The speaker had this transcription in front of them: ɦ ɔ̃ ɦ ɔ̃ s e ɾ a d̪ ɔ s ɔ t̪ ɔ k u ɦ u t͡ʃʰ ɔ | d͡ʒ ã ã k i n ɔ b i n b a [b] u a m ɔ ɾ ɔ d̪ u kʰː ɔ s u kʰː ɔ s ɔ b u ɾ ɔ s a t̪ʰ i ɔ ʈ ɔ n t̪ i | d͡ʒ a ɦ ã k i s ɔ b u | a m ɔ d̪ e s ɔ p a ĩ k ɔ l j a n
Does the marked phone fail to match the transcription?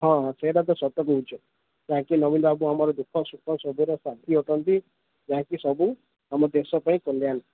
no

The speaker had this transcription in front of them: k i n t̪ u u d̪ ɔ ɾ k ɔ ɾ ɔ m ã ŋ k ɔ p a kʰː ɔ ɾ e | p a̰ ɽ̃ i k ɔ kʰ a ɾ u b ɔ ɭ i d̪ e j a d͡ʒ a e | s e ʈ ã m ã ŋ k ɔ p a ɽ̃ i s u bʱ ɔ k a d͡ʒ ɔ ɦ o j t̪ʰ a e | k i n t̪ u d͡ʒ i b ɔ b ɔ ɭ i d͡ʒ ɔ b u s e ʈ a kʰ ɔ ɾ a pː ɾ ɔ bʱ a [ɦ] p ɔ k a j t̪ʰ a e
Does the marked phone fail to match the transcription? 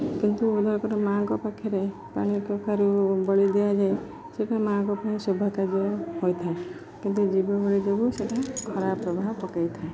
no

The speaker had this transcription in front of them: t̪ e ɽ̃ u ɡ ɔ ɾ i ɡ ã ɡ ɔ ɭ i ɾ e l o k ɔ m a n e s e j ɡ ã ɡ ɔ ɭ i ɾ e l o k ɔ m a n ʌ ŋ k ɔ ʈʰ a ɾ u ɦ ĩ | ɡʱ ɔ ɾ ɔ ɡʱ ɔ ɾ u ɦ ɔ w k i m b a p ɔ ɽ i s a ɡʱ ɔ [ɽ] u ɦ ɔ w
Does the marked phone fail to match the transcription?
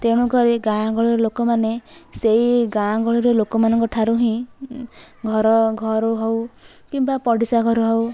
yes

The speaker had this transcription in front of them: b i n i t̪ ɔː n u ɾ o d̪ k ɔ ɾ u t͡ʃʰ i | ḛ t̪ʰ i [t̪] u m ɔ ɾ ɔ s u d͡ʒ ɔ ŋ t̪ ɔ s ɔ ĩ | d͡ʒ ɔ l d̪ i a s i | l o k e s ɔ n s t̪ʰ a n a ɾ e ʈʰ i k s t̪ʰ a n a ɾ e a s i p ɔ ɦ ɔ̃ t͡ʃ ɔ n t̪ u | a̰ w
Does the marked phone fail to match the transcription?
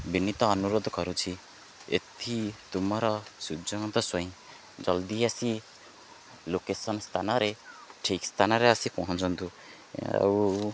no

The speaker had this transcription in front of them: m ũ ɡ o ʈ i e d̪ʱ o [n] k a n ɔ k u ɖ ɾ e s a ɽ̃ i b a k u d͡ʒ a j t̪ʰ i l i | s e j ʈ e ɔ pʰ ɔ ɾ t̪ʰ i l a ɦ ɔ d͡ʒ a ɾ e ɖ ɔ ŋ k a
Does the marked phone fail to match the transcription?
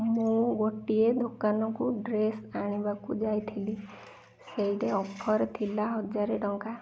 yes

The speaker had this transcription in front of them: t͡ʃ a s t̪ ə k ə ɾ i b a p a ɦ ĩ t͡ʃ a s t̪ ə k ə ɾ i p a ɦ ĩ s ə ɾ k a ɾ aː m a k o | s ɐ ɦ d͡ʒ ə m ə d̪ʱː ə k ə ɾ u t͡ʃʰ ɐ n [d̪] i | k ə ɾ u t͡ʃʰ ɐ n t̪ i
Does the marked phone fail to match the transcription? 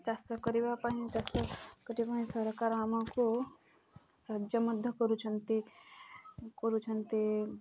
yes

